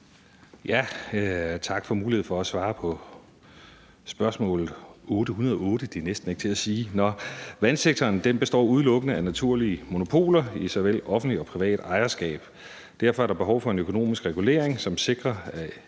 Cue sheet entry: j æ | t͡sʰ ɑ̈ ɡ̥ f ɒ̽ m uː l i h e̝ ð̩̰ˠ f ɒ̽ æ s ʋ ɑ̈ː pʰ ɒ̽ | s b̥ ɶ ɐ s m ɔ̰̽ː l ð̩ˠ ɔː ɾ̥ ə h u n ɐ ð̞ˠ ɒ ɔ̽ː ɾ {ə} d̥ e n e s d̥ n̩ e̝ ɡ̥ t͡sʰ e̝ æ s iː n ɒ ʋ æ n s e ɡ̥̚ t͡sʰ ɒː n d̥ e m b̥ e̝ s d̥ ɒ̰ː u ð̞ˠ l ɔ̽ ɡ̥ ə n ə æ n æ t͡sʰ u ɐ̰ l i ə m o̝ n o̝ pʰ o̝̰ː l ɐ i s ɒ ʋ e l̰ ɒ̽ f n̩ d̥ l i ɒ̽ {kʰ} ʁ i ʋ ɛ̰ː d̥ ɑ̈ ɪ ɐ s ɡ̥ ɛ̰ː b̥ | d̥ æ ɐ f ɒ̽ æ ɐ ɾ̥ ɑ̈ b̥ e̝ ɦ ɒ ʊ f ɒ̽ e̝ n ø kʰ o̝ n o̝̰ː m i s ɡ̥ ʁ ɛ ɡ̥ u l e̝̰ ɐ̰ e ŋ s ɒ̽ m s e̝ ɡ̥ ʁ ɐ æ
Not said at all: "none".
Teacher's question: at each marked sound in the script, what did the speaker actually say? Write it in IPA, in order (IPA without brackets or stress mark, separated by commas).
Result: ə, pʰ